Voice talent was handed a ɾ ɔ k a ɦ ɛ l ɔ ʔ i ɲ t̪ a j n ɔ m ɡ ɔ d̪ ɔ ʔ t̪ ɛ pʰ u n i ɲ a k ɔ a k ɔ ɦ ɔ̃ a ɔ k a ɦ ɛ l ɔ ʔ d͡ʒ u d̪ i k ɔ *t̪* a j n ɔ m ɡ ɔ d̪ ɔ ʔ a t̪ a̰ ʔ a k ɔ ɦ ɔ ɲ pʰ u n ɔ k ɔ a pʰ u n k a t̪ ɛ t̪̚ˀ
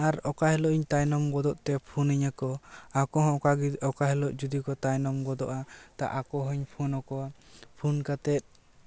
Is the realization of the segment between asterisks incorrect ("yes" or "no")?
no